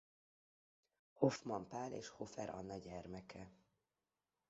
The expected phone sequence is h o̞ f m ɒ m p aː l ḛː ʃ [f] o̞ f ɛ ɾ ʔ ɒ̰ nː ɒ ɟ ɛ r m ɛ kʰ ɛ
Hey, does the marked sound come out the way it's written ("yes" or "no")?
no